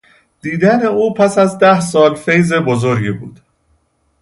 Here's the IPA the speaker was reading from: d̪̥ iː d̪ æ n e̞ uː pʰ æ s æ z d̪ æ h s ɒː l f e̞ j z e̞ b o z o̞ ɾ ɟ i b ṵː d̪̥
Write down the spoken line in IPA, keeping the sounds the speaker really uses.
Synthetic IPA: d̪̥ iː d̪ æ n e̞ uː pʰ æ s æ z d̪ æ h s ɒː l f e̞ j z e̞ b o z o̞ ɾ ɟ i b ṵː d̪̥